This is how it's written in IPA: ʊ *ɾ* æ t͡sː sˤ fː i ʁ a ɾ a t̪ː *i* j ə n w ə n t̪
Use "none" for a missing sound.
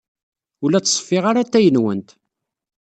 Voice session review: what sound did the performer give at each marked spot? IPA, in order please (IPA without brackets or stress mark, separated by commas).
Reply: l, æ